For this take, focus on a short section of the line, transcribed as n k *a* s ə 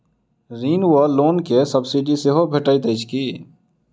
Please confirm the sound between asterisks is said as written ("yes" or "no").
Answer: no